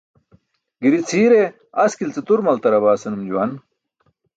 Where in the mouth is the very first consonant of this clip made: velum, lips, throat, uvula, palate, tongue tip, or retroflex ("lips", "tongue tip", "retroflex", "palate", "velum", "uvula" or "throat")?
velum